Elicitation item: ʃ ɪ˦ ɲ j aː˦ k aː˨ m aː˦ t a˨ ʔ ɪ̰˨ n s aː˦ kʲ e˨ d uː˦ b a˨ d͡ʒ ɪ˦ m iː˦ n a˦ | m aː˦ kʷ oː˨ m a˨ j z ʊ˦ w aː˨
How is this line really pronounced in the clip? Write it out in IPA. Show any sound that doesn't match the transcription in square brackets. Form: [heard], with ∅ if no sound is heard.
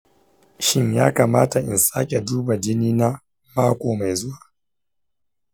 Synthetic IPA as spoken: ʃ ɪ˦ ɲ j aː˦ k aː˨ m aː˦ t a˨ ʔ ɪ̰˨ n s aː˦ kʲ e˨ d uː˦ b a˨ d͡ʒ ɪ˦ [n] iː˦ n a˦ | m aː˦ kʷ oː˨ m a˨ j z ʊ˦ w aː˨